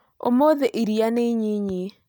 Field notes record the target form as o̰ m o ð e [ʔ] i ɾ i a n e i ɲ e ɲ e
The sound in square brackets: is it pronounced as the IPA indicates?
yes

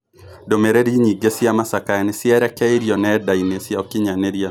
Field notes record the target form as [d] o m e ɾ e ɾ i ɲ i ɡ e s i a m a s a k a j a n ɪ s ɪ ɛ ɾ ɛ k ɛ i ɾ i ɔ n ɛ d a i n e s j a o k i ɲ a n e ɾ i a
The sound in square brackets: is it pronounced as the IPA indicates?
yes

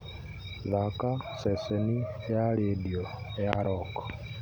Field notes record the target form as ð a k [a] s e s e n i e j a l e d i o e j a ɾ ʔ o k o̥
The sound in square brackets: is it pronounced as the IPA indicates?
yes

